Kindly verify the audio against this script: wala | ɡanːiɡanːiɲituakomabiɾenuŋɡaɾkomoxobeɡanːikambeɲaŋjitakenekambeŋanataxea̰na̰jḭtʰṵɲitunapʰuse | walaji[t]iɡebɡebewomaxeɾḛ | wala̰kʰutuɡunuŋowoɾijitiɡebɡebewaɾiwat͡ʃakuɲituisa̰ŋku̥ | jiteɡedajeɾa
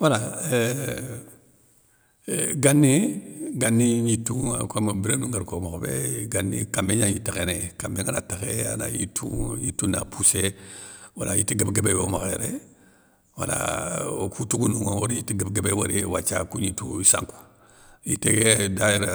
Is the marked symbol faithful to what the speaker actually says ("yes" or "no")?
yes